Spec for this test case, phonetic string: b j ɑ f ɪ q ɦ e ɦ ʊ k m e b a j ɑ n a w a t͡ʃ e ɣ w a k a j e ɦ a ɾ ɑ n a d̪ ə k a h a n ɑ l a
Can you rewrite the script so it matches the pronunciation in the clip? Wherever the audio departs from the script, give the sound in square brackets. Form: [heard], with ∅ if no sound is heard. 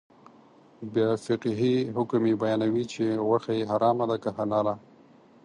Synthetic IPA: b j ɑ f ɪ q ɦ [i] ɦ ʊ k m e b a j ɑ n a w [i] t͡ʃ e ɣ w a [x] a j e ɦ a ɾ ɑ [m] a d̪ [a] k a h a n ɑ l a